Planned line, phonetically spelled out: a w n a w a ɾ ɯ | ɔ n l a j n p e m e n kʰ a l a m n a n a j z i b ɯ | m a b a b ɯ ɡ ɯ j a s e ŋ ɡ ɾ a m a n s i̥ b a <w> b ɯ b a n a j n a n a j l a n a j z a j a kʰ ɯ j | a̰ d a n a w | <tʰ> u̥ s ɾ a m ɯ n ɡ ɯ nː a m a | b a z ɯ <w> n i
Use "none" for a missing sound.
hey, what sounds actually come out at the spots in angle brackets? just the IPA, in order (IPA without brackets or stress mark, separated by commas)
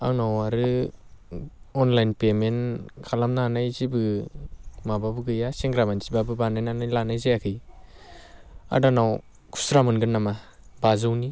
none, kʰ, w